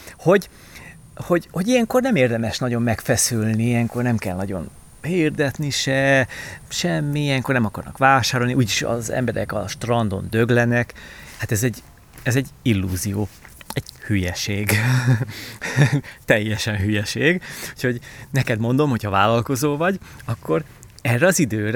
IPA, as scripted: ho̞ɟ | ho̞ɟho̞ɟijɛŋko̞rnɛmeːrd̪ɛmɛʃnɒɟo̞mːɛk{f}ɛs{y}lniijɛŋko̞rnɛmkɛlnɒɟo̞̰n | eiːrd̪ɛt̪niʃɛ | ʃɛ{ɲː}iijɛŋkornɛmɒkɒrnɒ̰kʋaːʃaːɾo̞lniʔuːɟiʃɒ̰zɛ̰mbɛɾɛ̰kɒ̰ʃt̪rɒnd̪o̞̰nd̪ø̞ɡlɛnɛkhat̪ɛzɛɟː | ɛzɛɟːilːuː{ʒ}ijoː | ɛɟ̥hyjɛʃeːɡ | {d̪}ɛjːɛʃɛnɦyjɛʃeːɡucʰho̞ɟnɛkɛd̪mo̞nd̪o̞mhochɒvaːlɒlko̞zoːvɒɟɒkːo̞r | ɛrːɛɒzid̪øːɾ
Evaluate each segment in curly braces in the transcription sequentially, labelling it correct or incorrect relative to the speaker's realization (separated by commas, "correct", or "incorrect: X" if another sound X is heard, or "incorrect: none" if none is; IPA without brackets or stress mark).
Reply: correct, correct, incorrect: mː, incorrect: z, incorrect: t̪